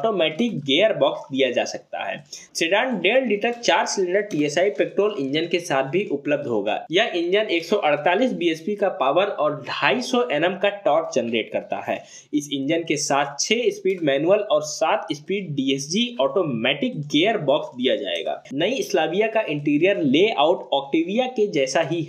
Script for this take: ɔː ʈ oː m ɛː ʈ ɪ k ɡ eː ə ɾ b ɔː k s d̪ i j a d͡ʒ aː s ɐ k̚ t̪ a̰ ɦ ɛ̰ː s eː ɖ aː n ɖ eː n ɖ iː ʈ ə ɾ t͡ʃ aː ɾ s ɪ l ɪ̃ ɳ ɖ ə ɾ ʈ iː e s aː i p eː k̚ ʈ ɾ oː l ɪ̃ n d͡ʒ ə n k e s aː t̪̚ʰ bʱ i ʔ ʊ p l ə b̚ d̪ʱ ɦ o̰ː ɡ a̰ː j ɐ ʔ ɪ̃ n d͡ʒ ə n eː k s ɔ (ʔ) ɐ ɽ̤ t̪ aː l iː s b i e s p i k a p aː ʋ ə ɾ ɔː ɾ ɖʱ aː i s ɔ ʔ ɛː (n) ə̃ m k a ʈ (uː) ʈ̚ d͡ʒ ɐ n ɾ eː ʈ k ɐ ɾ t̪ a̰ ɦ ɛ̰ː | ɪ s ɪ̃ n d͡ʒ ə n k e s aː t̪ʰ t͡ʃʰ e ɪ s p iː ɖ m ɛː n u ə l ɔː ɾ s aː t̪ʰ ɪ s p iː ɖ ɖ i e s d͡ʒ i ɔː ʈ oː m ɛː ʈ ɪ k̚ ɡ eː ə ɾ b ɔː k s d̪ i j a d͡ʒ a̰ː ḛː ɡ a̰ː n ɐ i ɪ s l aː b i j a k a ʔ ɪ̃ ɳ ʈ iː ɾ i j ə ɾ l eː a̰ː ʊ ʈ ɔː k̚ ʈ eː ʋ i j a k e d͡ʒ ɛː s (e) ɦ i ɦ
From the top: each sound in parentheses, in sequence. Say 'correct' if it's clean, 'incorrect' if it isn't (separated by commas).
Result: correct, correct, incorrect, incorrect